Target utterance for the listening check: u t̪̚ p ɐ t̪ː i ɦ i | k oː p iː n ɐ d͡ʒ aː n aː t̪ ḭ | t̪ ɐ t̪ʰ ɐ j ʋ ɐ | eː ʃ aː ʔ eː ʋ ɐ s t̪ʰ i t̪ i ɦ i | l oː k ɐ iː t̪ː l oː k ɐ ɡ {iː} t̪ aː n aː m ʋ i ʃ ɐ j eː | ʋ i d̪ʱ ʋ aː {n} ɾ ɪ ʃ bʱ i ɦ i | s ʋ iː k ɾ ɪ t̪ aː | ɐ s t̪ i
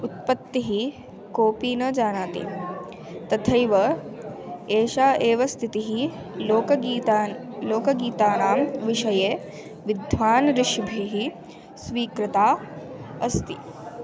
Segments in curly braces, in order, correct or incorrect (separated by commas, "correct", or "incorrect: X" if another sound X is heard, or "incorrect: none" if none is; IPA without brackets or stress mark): correct, correct